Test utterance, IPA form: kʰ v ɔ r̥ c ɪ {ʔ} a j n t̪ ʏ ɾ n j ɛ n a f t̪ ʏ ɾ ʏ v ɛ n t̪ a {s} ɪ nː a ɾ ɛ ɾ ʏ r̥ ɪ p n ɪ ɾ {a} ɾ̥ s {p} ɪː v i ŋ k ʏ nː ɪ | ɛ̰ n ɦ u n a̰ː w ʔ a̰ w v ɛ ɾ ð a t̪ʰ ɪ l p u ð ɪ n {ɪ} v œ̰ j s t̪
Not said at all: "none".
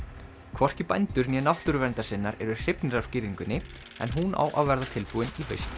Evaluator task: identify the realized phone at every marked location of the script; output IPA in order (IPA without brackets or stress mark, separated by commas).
p, s, a, c, i